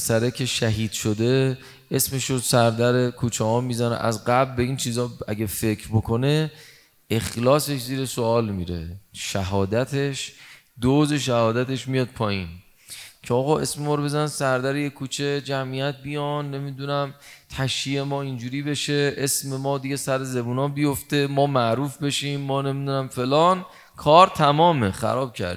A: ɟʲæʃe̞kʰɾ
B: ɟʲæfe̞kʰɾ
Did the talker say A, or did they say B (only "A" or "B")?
B